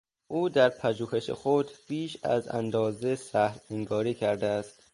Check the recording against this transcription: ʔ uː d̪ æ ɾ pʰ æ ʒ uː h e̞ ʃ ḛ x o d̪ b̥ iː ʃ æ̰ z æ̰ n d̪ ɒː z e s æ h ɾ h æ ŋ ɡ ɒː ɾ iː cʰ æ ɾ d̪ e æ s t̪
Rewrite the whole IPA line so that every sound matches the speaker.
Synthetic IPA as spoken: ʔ uː d̪ æ ɾ pʰ æ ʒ uː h e̞ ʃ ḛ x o d̪ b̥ iː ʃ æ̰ z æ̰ n d̪ ɒː z e s æ h ɾ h e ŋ ɡ ɒː ɾ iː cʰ æ ɾ d̪ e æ s t̪